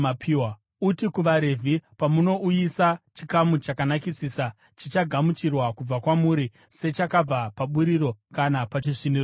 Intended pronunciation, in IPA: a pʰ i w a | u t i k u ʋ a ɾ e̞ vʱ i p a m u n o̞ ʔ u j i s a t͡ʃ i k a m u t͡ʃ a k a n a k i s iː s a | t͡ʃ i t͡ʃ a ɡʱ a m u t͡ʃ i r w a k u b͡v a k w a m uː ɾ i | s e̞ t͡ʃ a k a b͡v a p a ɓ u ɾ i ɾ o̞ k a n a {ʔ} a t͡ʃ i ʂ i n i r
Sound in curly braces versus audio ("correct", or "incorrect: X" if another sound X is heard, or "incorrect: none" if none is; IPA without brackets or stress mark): incorrect: p